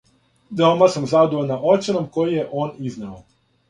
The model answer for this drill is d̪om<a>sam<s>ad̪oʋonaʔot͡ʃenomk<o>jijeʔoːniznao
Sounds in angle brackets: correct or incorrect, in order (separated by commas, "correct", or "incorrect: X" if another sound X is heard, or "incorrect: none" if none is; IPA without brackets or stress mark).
correct, incorrect: z, correct